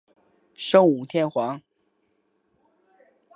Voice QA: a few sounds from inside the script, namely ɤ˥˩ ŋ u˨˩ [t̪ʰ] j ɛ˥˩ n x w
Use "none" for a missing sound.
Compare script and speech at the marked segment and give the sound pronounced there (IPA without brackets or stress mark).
t̪ʰ